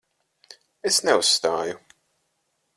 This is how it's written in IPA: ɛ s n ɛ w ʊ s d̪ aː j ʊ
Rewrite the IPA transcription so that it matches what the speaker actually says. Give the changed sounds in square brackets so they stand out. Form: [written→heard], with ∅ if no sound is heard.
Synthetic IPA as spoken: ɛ s n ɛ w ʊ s [d̪→t̪] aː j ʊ

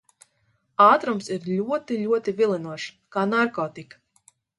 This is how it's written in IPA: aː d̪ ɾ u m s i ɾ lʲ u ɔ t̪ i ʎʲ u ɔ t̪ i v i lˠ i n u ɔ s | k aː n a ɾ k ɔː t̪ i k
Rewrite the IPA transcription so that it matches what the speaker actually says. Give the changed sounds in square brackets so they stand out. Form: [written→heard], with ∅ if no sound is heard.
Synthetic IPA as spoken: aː [d̪→t̪] ɾ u m s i ɾ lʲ u ɔ t̪ i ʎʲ u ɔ t̪ i v i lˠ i n u ɔ [s→ʃ] | k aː n a ɾ k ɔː t̪ i k

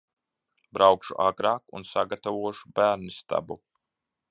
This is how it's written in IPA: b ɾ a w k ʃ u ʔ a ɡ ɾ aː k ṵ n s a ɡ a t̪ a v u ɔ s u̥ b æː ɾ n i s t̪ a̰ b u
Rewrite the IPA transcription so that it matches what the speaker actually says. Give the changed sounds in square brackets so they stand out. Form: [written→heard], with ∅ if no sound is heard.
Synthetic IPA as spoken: b ɾ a w k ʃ u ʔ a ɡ ɾ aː k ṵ n s a ɡ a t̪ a v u ɔ [s→ʃ] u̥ b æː ɾ n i s t̪ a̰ b u

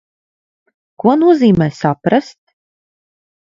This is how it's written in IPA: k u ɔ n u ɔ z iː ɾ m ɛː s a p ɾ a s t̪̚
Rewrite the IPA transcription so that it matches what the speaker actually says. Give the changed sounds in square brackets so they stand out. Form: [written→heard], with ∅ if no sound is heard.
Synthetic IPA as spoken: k u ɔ n u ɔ z iː [ɾ→∅] m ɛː s a p ɾ a s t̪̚

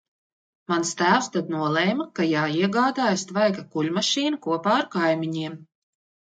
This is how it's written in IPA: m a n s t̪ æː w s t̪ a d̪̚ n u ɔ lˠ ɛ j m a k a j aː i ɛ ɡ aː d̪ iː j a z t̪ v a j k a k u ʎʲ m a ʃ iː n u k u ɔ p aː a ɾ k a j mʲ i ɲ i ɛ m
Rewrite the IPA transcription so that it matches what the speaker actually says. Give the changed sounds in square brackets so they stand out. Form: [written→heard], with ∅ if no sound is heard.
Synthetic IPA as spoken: m a n s t̪ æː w s t̪ a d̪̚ n u ɔ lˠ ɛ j m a k a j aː i ɛ ɡ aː d̪ [iː→aː] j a [z→s] t̪ v a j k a k u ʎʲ m a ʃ iː n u k u ɔ p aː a ɾ k a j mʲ i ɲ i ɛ m

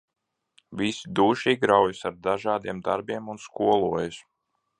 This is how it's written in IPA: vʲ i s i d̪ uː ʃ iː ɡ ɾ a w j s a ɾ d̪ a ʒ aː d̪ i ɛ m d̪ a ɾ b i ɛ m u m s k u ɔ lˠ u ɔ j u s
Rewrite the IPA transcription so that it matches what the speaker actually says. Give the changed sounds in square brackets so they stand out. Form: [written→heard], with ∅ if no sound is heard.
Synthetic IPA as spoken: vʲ i s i d̪ uː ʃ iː ɡ ɾ a w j s a ɾ d̪ a ʒ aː d̪ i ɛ m d̪ a ɾ b i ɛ m u [m→n] s k u ɔ lˠ u ɔ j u s

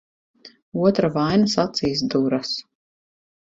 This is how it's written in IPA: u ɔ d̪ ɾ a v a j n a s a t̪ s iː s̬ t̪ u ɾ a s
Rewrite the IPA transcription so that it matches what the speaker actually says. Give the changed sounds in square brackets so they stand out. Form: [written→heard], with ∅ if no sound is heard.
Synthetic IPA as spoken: u ɔ [d̪→t̪] ɾ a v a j n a s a t̪ s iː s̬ [t̪→d̪] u ɾ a s

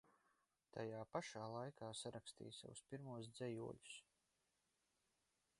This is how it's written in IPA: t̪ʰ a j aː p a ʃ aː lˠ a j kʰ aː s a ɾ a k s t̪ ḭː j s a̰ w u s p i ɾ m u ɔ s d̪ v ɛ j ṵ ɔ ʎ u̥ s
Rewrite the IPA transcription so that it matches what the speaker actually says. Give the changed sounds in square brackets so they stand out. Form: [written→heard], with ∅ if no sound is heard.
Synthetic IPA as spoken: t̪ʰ a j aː p a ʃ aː lˠ a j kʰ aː s a ɾ a k s t̪ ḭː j s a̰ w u s p i ɾ m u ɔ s d̪ [v→z] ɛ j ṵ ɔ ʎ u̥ s

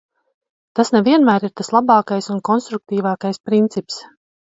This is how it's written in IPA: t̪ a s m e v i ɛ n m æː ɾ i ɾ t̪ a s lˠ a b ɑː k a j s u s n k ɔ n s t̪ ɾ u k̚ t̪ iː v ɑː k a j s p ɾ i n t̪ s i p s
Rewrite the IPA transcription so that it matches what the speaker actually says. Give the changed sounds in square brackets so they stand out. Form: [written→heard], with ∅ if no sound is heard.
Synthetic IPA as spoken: t̪ a s [m→n] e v i ɛ n m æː ɾ i ɾ t̪ a s lˠ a b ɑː k a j s u [s→∅] n k ɔ n s t̪ ɾ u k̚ t̪ iː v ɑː k a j s p ɾ i n t̪ s i p s

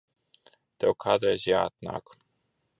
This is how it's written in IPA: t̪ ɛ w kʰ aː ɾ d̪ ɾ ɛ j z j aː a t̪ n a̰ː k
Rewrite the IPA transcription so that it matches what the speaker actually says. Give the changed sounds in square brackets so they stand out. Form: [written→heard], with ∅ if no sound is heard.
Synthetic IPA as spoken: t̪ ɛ w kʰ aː [ɾ→∅] d̪ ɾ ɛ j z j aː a t̪ n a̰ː k

